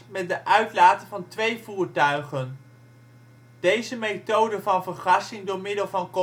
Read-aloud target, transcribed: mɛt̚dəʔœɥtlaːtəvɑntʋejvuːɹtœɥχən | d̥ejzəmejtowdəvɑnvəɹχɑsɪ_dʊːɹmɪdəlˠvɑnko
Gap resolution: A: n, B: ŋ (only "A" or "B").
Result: B